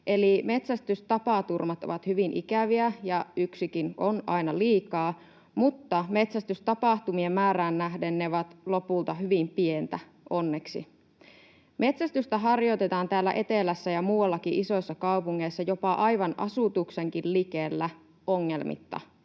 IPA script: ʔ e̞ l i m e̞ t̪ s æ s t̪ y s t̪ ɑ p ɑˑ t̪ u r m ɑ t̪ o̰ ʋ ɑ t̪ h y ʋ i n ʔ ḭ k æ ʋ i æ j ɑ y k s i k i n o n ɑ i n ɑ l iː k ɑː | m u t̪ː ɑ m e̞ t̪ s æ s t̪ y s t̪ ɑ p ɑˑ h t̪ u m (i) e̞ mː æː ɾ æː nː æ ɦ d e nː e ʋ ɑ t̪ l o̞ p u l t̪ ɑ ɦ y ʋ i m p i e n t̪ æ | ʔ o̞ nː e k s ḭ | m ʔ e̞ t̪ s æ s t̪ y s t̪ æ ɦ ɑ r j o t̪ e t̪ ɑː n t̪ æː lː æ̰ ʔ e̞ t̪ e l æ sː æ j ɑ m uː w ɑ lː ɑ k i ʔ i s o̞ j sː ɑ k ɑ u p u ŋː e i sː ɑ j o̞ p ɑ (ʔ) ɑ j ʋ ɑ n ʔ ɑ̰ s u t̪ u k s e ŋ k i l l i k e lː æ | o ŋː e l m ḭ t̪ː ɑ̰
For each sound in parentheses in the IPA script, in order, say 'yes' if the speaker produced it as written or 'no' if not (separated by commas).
yes, yes